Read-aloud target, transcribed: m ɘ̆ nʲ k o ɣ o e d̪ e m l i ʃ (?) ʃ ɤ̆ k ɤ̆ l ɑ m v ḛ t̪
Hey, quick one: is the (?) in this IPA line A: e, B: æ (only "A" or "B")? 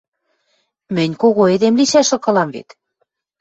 B